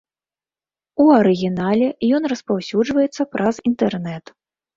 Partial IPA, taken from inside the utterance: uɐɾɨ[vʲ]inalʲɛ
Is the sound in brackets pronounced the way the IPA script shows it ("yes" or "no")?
no